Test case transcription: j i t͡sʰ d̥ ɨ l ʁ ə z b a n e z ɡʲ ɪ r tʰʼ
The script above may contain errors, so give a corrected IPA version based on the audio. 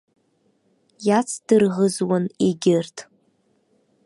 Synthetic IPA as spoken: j a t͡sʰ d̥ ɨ r ʁ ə z w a n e ɡʲ ɪ r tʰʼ

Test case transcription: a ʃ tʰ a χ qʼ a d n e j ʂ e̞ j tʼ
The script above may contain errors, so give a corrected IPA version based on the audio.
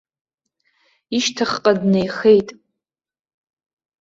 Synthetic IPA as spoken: i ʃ tʰ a χ qʼ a d n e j χ e̞ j tʼ

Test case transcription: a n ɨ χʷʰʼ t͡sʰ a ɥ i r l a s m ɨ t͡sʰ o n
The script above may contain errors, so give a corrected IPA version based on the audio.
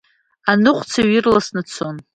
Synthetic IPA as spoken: a n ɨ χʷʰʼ t͡sʰ a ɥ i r l a s n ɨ t͡sʰ o n

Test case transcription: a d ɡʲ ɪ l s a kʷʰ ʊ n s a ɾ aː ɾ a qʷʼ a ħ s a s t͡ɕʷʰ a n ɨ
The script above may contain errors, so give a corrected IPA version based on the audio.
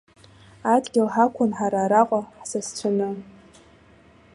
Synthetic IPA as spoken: a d ɡʲ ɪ l ħ a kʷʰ ʊ n ħ a ɾ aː ɾ a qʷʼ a ħ s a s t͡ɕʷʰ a n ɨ

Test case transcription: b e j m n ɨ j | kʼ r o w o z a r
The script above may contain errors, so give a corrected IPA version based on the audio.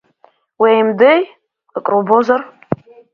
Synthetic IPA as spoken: w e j m d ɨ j | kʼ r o b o z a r

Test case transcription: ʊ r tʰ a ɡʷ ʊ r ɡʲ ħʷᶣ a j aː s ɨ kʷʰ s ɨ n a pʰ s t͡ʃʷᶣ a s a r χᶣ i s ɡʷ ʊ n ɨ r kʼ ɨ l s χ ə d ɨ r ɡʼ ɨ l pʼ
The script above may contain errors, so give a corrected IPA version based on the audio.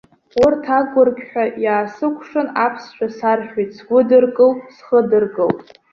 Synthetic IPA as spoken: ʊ r tʰ a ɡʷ ʊ r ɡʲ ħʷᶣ a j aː s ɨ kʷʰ ʂ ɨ n a pʰ s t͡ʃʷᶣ a s a r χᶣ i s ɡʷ ʊ d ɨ r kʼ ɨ l s χ ə d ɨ r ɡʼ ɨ l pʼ

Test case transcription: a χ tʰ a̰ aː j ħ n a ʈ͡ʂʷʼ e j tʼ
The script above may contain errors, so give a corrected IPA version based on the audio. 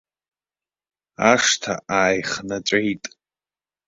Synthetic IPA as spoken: a ʂ tʰ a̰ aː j χ n a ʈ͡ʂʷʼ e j tʼ

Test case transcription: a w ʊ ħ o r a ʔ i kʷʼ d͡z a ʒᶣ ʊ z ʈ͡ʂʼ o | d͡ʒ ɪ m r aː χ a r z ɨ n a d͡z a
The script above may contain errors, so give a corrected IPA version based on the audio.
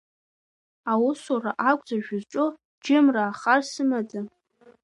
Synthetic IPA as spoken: a w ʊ s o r a ʔ a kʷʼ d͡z a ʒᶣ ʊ z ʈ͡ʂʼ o | d͡ʒ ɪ m r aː χ a r s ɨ m a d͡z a

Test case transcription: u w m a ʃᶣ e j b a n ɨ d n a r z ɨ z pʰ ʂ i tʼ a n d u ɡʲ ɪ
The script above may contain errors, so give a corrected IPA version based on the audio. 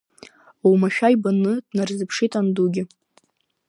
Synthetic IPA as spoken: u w m a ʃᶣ a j b a n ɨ d n a r z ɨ pʰ ʂ i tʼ a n d u ɡʲ ɪ

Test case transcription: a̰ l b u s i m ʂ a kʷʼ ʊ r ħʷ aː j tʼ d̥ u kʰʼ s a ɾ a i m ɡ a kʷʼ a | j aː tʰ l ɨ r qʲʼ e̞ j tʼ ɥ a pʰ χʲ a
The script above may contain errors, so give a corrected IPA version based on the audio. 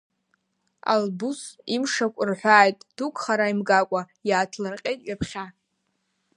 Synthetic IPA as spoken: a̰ l b u s i m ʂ a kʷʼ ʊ r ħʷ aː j tʼ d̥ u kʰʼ χ a ɾ a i m ɡ a kʷʼ a | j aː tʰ l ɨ r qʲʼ e̞ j tʼ ɥ a pʰ χʲ a

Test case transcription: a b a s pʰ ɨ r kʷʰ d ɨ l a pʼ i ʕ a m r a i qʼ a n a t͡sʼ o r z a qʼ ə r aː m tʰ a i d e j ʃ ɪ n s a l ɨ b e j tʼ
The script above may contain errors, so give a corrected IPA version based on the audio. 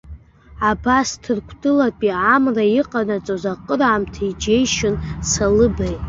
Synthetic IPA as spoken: a b a s tʰ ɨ r kʷʰ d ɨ l a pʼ i ʕ a m r a i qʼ a n a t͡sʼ o z a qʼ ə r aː m tʰ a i d͡ʒ e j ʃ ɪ n s a l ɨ b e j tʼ

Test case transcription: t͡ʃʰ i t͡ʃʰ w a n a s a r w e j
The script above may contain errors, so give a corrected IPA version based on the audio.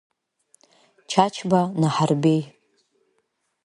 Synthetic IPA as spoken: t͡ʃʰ a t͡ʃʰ b a n a ħ a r b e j

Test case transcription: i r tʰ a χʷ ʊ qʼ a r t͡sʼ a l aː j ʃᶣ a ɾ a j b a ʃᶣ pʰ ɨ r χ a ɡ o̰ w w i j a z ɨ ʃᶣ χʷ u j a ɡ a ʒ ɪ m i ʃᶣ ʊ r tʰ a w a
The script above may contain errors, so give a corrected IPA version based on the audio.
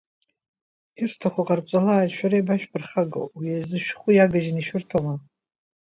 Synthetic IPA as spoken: i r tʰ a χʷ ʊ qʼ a r t͡sʼ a l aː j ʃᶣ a ɾ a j b a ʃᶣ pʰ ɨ r χ a ɡ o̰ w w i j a z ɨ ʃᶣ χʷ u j a ɡ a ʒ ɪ n i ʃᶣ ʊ r tʰ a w a

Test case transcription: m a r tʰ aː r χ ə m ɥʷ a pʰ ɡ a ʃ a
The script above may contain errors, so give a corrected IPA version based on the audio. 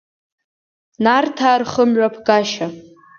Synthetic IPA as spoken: n a r tʰ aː r χ ə m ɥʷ a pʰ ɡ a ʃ a

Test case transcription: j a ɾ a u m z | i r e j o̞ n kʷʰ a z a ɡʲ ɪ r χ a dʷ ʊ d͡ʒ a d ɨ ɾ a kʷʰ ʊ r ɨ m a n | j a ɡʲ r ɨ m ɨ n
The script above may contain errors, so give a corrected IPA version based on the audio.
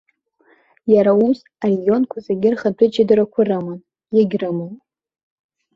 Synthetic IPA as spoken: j a ɾ a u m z | a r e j o̞ n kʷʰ a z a ɡʲ ɪ r χ a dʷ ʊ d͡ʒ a d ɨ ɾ a kʷʰ ʊ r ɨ m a n | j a ɡʲ r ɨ m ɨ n

